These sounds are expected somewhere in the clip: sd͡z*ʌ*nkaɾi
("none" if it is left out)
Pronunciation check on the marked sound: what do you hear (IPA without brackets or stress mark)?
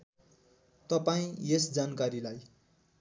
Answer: a